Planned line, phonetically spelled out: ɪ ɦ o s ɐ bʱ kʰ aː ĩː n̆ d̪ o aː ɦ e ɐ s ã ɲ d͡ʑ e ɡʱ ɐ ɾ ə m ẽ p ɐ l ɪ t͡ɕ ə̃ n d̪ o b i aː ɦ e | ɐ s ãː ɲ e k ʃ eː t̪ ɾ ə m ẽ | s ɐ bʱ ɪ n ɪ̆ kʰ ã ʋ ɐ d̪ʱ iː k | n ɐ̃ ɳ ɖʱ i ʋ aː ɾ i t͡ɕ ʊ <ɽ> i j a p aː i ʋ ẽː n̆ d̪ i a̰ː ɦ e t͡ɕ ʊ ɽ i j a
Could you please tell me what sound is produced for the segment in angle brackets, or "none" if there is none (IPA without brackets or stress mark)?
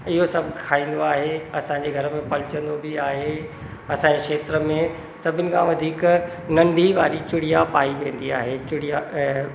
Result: ɽ